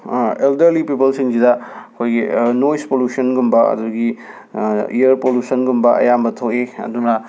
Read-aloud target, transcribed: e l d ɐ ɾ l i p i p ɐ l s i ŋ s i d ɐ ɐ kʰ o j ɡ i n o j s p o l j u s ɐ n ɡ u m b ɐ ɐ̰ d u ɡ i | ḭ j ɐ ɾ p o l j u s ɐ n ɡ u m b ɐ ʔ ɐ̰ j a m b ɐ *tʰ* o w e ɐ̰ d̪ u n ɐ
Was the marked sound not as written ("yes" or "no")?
no